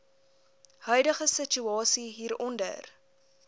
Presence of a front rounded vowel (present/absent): present